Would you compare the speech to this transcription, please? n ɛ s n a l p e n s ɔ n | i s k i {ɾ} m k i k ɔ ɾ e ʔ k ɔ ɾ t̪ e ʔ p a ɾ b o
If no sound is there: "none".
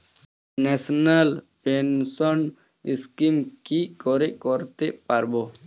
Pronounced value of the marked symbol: none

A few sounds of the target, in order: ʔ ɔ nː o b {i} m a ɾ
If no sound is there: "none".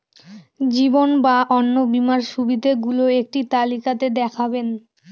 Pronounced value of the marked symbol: i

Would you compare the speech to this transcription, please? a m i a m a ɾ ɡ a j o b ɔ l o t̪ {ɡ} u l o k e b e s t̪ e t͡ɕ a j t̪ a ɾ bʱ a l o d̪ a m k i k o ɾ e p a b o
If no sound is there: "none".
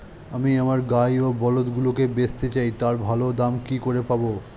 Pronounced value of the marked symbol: ɡ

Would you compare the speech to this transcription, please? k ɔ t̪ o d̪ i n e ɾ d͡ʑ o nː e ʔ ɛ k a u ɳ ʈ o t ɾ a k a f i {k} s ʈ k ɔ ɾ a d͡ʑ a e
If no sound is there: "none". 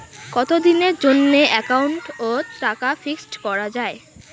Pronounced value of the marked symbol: k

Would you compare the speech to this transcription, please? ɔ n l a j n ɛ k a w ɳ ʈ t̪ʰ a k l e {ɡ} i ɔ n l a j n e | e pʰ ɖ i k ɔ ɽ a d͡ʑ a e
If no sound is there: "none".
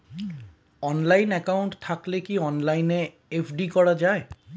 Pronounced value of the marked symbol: k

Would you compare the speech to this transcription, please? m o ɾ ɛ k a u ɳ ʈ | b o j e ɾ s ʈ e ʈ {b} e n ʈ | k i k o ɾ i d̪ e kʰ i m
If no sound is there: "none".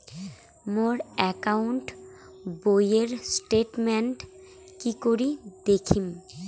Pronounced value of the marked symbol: m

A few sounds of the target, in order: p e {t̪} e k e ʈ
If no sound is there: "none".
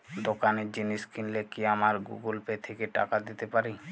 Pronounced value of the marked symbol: t̪ʰ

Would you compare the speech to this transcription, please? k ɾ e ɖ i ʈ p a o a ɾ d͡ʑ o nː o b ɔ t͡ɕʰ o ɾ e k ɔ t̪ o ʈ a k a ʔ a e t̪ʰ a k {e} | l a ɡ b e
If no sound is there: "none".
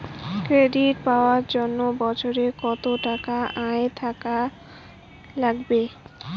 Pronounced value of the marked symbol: a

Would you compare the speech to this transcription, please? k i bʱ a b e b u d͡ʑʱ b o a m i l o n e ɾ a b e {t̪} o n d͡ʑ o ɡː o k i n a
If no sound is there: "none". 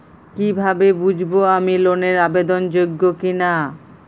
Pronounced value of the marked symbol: d̪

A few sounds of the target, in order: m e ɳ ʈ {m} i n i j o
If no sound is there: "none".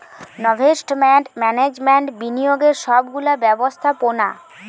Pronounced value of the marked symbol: b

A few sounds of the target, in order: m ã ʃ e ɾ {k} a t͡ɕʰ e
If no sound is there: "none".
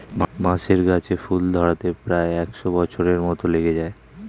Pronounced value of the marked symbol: ɡ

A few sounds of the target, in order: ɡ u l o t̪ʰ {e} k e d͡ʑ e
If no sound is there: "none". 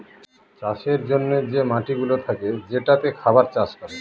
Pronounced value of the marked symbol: a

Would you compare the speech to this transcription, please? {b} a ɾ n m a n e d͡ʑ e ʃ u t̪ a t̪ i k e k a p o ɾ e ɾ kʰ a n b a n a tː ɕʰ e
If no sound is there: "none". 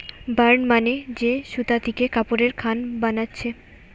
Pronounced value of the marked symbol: b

